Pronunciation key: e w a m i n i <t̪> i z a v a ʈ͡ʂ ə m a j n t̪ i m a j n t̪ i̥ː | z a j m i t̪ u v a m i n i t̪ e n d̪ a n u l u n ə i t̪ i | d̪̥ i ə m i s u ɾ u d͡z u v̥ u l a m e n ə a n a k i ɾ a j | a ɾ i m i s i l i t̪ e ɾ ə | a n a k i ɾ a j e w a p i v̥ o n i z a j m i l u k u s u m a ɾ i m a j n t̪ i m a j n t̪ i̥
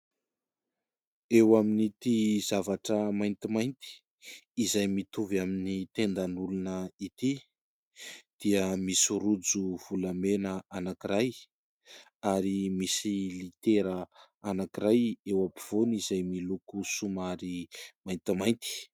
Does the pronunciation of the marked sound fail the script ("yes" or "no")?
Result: no